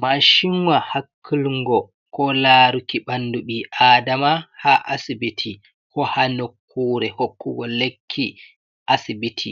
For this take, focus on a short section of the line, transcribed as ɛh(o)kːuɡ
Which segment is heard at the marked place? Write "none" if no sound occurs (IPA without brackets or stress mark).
o